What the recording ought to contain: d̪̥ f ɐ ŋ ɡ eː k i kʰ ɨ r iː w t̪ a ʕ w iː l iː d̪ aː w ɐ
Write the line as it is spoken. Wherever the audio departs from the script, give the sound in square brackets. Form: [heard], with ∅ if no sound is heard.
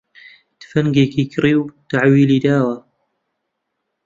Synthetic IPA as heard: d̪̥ f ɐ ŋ ɡ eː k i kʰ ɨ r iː w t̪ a ʕ w iː l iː d̪ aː w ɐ